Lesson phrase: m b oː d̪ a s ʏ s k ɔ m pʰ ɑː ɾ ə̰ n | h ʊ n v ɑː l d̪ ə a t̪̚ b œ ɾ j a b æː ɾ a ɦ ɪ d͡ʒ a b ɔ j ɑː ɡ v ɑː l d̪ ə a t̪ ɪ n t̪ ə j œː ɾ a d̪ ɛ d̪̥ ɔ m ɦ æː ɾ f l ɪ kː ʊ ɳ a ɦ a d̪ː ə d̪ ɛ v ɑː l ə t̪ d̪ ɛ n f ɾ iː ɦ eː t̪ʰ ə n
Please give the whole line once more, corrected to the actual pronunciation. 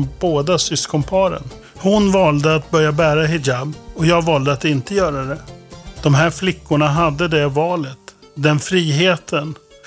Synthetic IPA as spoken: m b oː d̪ a s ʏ s k ɔ m pʰ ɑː ɾ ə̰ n | h ʊ n v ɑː l d̪ ə a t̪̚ b œ ɾ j a b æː ɾ a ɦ ɪ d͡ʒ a b ɔ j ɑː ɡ v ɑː l d̪ ə a t̪ ɪ n t̪ ə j œː ɾ a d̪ ɛ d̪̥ ɔ m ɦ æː ɾ f l ɪ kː ʊ ɳ a ɦ a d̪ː ə d̪ ɛ v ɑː l ə t̪ d̪ ɛ n f ɾ iː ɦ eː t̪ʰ ə n